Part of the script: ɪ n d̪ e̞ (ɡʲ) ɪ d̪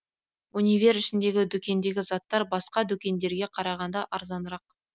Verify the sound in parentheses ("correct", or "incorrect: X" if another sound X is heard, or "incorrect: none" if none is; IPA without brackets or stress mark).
correct